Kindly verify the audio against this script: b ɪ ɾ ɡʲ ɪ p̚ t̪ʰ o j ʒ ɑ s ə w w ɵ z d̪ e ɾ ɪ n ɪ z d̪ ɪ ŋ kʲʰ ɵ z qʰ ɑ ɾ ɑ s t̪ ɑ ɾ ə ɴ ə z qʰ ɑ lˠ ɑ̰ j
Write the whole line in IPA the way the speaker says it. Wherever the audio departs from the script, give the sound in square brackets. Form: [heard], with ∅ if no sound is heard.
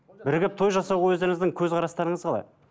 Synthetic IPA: b ɪ ɾ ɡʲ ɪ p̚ t̪ʰ o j ʒ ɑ s [ɑ] w w ɵ z d̪ e ɾ ɪ [ŋ] ɪ z d̪ ɪ ŋ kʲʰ ɵ z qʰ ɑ ɾ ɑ s t̪ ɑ ɾ ə ɴ ə z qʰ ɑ lˠ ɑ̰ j